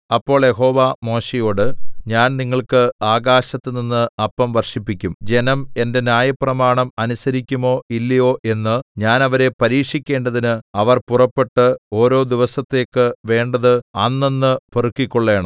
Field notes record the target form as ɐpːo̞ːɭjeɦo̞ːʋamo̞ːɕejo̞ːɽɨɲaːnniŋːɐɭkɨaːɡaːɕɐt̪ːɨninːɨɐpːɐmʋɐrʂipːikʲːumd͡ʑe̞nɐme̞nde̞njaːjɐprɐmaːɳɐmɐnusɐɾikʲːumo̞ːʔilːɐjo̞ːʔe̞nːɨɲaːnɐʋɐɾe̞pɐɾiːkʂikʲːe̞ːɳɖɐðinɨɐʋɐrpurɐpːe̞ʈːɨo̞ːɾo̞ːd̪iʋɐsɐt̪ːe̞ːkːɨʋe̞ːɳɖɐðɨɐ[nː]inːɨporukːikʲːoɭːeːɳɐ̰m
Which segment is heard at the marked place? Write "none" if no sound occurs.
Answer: nː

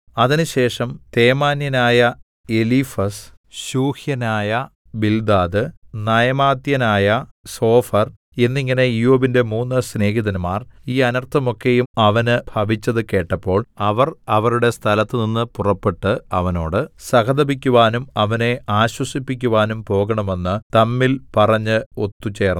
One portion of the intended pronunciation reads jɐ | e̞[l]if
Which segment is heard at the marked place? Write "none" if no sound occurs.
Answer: l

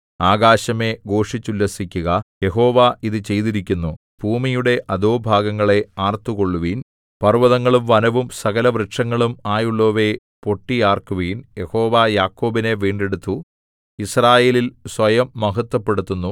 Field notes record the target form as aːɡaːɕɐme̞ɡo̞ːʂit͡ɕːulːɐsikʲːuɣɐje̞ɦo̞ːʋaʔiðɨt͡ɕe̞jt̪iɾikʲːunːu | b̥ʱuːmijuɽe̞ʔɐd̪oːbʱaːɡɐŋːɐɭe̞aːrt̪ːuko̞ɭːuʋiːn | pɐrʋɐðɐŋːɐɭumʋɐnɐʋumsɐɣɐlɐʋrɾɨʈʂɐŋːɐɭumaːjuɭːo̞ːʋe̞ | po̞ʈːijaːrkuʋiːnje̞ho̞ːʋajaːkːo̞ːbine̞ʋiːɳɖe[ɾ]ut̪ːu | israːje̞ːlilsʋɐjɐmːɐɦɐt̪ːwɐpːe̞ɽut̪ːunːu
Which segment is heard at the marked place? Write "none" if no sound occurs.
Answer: ɽ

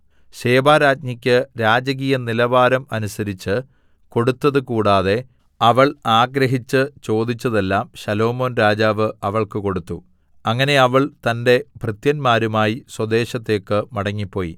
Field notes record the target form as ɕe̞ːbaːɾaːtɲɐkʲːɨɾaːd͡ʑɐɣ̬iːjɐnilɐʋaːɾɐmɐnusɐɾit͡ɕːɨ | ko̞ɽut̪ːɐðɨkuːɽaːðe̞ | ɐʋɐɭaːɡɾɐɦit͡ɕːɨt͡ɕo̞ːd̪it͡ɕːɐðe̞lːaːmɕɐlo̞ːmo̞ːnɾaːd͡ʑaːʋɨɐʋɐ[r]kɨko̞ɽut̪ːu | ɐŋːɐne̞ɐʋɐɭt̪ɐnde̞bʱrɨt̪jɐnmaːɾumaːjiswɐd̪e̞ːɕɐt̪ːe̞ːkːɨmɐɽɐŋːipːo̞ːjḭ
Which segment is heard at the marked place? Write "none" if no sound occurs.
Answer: ɭ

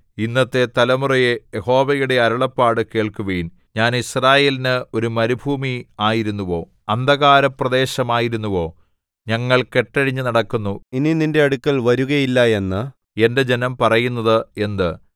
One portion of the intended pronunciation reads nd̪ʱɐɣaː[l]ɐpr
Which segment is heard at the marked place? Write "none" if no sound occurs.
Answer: ɾ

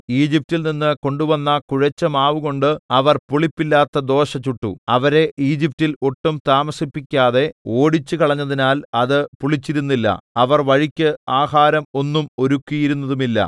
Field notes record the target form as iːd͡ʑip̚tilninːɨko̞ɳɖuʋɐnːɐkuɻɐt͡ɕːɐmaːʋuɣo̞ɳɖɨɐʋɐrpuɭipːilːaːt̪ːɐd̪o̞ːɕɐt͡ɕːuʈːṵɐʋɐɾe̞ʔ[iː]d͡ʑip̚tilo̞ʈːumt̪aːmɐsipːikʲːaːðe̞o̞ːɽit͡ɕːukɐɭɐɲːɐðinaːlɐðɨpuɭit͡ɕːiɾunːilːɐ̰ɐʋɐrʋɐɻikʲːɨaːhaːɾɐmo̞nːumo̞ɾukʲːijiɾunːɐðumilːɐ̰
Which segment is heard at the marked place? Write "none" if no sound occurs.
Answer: iː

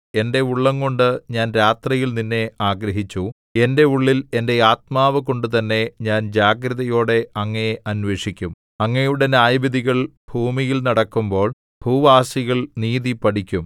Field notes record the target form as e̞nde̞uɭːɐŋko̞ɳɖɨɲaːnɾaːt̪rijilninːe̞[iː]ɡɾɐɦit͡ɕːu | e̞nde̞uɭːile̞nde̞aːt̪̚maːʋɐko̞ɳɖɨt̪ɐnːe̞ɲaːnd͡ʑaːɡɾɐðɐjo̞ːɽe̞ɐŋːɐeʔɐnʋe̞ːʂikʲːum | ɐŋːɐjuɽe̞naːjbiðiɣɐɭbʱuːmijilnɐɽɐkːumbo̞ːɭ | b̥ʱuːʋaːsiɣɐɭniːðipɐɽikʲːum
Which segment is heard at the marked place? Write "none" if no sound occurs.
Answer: aː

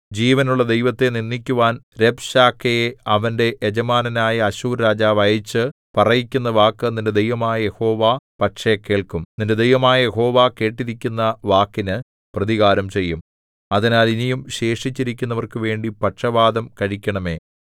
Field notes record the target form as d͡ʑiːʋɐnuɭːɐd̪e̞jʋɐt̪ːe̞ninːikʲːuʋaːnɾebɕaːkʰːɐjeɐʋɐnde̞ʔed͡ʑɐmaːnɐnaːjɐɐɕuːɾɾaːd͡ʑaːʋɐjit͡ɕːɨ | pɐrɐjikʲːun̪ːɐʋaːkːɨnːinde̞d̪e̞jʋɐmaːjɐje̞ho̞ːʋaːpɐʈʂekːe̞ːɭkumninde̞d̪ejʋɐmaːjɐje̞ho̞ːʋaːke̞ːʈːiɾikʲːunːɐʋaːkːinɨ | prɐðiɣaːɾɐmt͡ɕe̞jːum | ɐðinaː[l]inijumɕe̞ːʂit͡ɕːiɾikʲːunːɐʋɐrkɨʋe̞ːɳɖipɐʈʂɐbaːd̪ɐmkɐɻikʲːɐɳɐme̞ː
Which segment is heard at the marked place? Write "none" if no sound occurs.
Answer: l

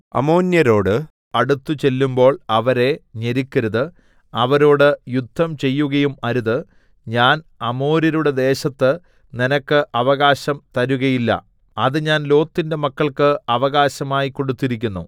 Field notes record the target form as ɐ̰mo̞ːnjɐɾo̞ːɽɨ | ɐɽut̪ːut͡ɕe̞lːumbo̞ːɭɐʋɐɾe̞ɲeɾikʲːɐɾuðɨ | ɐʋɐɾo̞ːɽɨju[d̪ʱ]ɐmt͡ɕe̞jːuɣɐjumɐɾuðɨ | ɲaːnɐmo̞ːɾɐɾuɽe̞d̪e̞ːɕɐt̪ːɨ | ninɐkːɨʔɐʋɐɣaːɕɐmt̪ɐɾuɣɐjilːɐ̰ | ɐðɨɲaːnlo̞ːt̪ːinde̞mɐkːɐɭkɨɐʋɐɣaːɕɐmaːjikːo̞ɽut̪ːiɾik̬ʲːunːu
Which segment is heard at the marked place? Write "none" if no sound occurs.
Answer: d̪ʱː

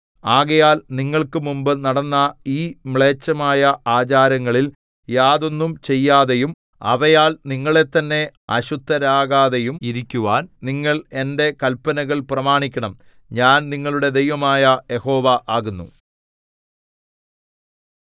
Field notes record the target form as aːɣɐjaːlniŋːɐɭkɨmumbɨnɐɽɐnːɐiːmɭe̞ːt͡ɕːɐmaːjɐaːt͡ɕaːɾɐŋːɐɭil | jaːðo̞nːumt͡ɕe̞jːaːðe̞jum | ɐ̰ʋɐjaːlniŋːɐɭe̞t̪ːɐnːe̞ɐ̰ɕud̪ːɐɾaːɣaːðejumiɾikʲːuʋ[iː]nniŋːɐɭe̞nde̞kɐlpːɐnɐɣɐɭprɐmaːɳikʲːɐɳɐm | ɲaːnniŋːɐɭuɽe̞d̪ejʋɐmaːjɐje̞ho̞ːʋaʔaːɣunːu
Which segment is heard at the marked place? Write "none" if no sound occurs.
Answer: aː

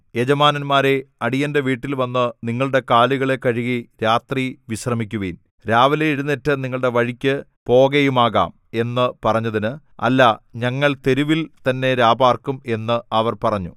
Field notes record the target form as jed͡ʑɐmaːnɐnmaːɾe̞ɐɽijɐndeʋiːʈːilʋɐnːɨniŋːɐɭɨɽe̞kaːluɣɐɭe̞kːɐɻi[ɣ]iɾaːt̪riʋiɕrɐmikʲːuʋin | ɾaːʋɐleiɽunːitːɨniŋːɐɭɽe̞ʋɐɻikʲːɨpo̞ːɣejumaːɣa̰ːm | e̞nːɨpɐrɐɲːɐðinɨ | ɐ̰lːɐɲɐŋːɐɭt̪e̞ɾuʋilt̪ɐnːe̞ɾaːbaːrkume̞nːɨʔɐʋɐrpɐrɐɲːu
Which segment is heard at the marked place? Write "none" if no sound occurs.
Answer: ɣ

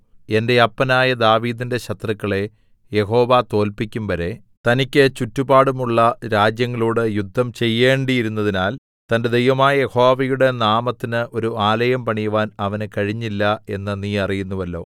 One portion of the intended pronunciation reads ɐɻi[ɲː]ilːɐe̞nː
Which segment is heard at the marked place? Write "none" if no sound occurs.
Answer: ɲː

